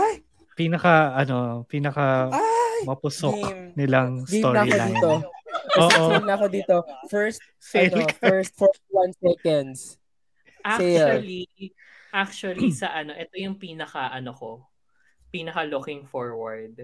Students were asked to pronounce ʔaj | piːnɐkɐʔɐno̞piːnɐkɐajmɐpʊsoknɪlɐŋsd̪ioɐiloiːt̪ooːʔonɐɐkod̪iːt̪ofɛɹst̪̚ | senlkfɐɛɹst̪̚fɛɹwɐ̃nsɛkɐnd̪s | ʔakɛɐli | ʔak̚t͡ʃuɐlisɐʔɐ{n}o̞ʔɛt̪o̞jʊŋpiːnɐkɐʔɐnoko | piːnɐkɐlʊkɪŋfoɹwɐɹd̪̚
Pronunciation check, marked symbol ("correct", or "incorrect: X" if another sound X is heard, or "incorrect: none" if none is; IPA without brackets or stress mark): correct